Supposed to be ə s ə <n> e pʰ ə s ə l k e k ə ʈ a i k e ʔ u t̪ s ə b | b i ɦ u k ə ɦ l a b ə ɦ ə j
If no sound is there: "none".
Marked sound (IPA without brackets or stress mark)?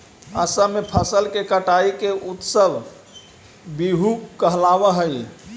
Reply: m